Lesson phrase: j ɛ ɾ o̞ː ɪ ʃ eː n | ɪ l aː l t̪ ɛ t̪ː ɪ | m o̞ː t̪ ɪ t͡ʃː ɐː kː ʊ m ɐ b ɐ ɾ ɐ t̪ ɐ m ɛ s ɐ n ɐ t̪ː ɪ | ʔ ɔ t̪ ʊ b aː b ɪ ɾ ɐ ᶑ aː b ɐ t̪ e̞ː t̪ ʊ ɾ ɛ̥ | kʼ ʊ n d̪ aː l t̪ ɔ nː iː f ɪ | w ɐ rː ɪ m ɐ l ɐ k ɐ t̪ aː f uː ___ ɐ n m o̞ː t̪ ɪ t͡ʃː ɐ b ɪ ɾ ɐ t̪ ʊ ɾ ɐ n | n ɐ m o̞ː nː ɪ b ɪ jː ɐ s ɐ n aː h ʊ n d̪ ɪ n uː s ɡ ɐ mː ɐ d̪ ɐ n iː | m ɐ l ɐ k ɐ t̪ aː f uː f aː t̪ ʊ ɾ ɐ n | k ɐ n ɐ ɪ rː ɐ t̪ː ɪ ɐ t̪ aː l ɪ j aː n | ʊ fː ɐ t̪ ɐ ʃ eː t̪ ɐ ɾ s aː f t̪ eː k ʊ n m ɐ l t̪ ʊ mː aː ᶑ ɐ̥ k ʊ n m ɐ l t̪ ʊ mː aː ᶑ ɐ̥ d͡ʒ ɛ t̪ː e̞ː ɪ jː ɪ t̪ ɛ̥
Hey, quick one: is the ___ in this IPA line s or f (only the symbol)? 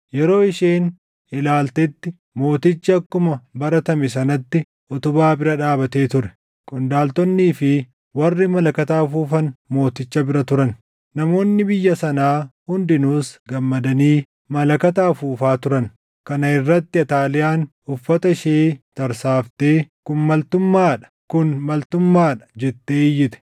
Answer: f